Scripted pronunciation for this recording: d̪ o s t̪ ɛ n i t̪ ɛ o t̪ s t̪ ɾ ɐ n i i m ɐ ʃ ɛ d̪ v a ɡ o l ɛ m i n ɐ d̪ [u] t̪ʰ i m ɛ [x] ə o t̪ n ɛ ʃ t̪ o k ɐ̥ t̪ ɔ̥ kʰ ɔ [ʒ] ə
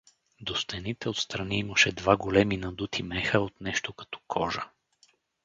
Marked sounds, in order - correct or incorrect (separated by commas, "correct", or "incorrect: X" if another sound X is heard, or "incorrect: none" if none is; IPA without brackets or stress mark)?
correct, correct, correct